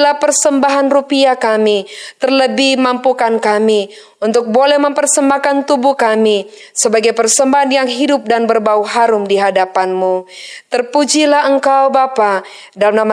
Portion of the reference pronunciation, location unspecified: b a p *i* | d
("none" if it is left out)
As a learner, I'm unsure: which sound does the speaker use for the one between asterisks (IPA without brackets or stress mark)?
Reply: a